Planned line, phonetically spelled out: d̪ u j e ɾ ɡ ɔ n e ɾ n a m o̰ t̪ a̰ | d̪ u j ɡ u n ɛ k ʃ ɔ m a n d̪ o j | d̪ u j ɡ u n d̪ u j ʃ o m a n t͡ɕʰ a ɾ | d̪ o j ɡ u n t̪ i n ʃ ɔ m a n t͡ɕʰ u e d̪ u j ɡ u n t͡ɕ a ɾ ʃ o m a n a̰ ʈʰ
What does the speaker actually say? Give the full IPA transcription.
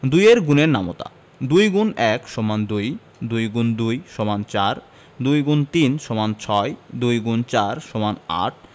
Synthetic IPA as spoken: d̪ u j e ɾ ɡ u n e ɾ n a m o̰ t̪ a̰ | d̪ u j ɡ u n ɛ k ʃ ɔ m a n d̪ u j | d̪ u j ɡ u n d̪ u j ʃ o m a n t͡ɕ a ɾ | d̪ u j ɡ u n t̪ i n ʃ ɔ m a n t͡ɕʰ ɔ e d̪ u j ɡ u n t͡ɕ a ɾ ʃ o m a n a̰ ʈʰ